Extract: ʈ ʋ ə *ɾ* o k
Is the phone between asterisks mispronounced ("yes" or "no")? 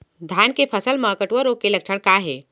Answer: no